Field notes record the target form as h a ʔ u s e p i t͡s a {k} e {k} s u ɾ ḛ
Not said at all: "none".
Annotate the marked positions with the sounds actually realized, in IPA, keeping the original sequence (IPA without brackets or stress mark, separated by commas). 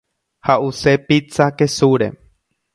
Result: k, none